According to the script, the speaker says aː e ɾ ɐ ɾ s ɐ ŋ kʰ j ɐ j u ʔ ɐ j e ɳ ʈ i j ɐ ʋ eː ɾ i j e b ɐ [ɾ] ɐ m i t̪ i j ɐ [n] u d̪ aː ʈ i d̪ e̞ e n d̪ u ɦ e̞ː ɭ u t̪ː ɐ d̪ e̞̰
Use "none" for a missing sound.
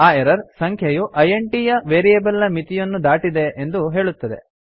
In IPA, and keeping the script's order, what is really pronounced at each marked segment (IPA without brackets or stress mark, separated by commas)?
l, nː